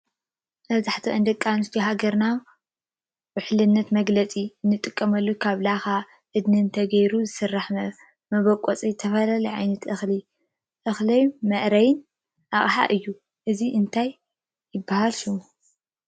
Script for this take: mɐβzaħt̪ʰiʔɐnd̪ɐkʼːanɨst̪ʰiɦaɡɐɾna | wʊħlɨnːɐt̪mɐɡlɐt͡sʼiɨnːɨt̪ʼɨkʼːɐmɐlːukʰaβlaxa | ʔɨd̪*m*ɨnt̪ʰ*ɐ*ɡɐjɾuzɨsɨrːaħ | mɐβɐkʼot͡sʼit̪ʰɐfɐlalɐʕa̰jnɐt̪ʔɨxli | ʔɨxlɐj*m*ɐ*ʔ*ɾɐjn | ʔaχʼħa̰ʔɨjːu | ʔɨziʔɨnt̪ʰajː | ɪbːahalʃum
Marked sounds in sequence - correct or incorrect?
incorrect: n, correct, correct, correct

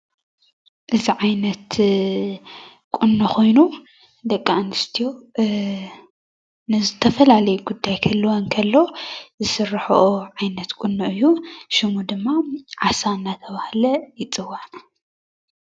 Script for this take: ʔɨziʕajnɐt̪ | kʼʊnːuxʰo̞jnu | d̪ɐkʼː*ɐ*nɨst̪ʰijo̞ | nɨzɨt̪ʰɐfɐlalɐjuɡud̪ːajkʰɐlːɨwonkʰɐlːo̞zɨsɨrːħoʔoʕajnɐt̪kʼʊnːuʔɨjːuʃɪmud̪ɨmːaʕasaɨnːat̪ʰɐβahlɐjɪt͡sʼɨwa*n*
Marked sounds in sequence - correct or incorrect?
incorrect: a, correct

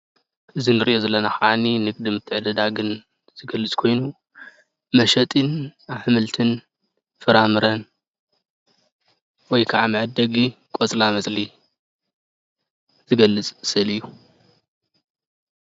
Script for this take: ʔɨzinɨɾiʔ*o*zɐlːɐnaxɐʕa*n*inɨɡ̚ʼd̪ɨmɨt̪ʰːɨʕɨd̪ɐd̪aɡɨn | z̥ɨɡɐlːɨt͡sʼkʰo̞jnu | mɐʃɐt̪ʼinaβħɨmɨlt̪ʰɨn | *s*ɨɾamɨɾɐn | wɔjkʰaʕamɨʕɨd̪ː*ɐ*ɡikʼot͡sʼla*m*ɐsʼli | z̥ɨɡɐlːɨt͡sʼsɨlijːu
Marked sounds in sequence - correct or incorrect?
correct, correct, incorrect: f, correct, correct

